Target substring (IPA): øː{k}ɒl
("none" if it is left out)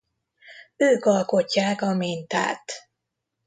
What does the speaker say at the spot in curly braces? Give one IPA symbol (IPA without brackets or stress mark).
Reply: k